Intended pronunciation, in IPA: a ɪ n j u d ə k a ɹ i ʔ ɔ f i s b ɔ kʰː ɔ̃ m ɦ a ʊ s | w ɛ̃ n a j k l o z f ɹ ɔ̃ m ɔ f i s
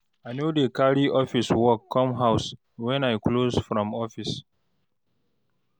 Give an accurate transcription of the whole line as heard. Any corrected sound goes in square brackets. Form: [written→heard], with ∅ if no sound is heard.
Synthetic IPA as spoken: a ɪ n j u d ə k a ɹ i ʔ ɔ f i s [b→w] ɔ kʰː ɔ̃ m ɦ a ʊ s | w ɛ̃ n a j k l o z f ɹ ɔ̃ m ɔ f i s

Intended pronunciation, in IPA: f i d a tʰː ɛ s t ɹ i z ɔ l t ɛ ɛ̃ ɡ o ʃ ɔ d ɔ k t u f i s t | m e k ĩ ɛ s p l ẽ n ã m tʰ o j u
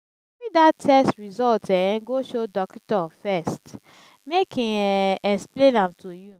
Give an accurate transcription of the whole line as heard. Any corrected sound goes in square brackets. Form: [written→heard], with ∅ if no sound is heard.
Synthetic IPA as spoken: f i d a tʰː ɛ s t ɹ i z ɔ l t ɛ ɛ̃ ɡ o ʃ [ɔ→o] d ɔ k t [u→ɔ] f [i→ɛ] s t | m e k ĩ ɛ s p l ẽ n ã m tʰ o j u

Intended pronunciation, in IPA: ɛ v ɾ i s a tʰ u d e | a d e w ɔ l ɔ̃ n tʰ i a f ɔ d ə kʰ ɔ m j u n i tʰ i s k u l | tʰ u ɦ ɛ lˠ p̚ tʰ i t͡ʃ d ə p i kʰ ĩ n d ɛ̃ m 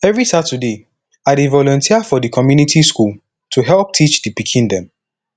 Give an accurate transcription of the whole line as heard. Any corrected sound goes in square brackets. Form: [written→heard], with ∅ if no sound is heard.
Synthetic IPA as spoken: ɛ v [ɾ→ɹ] i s a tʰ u d e | a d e [w→v] ɔ l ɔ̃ n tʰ i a f ɔ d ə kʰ ɔ m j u n i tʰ i s k u l | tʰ u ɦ ɛ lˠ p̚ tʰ i t͡ʃ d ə p i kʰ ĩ n d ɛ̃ m

